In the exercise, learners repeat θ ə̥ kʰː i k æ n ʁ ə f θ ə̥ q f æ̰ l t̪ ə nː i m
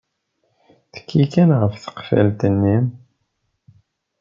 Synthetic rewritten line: θ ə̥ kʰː i k æ n ʁ ə f θ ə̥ q f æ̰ l t̪ ə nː i m